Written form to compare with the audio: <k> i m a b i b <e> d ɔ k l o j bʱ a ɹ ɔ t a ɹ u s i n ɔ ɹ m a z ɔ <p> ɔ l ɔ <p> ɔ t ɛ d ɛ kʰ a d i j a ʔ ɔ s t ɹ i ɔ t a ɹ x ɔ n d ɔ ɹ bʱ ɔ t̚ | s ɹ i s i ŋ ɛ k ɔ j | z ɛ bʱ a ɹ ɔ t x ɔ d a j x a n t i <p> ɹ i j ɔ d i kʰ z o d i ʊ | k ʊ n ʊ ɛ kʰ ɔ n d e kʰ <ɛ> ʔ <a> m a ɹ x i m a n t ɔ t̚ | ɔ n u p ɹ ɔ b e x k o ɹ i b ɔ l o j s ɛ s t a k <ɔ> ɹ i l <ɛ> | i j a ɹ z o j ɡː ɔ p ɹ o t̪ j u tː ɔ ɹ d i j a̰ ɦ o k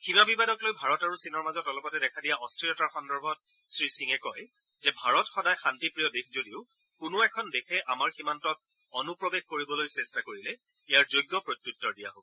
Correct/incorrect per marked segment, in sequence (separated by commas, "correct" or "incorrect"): incorrect, incorrect, incorrect, correct, correct, correct, correct, incorrect, correct